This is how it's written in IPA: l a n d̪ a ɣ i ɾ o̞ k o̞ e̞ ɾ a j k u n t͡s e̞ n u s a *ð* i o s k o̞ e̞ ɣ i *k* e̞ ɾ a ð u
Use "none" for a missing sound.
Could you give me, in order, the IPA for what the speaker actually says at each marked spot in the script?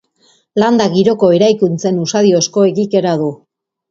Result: ð, k

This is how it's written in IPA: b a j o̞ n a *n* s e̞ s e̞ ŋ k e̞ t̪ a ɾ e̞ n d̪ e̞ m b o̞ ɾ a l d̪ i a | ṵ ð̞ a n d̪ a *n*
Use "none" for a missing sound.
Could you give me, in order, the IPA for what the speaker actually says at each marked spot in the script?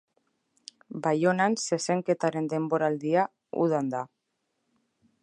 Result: n, none

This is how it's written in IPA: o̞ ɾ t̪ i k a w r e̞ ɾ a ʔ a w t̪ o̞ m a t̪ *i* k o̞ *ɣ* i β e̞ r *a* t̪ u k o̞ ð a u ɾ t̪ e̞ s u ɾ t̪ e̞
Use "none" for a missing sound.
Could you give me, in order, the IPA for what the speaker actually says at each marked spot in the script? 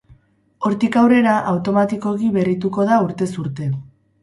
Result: i, ɣ, i

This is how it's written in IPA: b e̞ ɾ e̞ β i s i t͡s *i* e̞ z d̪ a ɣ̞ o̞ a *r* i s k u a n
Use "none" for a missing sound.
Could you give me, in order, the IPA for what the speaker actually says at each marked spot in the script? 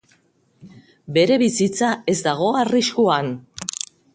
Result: a, r

